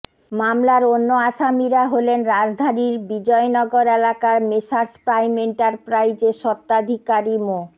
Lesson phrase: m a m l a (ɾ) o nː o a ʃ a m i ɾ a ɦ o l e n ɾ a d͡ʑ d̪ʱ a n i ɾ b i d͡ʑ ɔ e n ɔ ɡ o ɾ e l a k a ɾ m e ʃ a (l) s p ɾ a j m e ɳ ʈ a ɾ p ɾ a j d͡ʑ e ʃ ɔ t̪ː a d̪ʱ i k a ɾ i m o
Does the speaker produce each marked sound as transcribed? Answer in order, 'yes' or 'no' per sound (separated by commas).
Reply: yes, no